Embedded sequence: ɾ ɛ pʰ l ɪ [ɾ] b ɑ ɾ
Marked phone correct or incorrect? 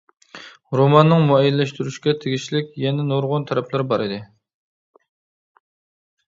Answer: correct